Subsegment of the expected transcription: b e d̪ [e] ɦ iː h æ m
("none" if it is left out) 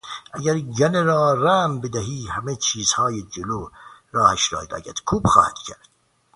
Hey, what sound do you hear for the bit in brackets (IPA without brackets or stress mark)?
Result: æ